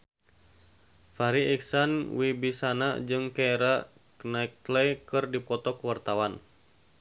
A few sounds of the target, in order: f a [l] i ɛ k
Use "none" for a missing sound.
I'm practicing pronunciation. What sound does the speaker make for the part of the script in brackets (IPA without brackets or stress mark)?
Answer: ɾ